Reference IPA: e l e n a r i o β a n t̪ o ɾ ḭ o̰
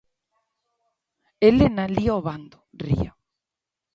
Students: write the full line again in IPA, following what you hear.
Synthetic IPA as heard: e l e n a l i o β a n d̪ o r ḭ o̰